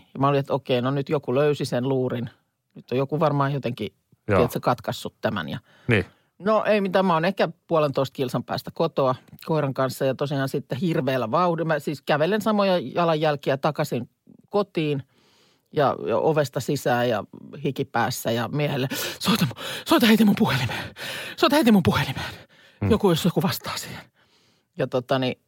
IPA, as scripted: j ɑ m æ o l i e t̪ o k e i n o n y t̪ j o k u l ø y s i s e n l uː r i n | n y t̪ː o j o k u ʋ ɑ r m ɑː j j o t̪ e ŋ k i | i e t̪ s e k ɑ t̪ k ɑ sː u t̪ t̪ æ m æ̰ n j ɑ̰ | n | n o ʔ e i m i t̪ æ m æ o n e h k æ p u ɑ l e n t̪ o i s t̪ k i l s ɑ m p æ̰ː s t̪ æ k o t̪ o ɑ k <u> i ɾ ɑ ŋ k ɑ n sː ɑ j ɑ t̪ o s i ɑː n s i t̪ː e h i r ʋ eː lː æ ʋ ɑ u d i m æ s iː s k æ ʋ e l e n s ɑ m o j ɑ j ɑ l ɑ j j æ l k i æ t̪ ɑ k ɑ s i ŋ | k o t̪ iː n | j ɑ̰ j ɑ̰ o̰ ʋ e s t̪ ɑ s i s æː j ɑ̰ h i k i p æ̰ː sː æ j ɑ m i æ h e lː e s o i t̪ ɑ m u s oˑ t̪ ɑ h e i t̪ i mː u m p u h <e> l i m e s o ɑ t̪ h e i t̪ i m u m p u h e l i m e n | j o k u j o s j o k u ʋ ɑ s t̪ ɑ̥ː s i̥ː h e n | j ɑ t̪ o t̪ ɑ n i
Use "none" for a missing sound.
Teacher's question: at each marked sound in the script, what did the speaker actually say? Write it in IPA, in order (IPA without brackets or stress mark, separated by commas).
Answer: o, e